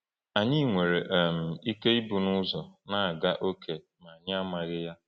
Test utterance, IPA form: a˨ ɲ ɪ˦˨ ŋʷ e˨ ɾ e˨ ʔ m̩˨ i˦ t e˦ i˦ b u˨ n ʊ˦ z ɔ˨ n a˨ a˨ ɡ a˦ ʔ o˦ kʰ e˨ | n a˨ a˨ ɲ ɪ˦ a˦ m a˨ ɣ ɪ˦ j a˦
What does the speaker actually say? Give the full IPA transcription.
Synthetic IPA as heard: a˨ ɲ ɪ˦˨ ŋʷ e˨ ɾ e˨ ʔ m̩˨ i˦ k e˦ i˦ b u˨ n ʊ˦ z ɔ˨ n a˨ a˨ ɡ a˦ ʔ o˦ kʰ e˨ | m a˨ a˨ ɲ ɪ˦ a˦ m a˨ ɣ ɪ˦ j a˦